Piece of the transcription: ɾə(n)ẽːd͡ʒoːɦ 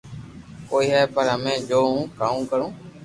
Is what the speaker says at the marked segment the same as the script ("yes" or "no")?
no